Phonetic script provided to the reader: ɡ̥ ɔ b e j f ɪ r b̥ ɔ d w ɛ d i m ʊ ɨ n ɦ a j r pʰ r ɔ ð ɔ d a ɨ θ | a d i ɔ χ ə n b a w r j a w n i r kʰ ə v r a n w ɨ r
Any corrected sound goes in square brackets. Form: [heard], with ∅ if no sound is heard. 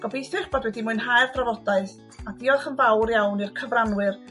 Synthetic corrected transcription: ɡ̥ ɔ b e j [θ] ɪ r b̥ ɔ d w ɛ d i m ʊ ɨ n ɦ a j r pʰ r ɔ [v] ɔ d a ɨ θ | a d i ɔ χ ə n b a w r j a w n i r kʰ ə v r a n w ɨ r

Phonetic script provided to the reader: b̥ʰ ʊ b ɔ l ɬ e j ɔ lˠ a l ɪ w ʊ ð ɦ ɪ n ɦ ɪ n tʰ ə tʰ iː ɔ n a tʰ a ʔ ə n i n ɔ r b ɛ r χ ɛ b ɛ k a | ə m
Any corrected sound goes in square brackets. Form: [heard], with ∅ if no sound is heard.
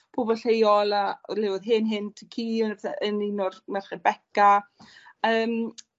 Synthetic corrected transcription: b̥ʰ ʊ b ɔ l ɬ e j ɔ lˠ a l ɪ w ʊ ð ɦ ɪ n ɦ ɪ n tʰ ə [kʰ] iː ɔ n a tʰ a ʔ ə n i n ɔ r [m] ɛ r χ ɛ b ɛ k a | [əː] m

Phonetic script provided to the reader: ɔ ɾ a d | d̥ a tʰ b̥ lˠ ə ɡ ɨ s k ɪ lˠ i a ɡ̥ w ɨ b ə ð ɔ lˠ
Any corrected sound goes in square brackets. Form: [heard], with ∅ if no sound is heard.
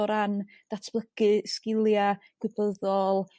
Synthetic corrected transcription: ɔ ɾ a [n] | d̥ a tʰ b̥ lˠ ə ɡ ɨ s k ɪ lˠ [j] a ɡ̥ w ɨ b ə ð ɔ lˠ

